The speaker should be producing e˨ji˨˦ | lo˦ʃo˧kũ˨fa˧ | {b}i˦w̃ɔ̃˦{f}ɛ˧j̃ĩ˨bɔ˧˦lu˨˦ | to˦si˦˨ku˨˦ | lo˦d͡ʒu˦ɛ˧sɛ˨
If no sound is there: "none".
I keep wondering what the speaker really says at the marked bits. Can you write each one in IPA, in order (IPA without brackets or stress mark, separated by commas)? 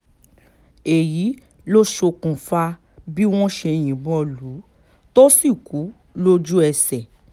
b, ʃ